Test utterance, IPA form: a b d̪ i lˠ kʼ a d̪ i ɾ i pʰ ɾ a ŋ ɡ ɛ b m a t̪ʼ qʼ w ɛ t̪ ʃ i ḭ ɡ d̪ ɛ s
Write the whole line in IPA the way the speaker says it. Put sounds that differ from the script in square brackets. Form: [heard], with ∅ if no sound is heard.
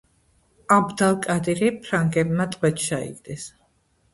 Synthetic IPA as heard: a b d̪ [a] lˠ kʼ a d̪ i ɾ i pʰ ɾ a ŋ ɡ ɛ b m a t̪ʼ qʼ w ɛ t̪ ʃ [a] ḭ ɡ d̪ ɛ s